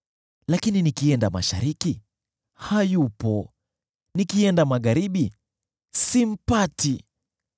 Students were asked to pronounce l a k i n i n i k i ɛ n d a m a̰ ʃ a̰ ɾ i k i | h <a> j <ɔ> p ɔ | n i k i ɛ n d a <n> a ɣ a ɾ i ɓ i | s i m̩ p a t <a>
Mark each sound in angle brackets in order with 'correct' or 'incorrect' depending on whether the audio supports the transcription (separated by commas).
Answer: correct, incorrect, incorrect, incorrect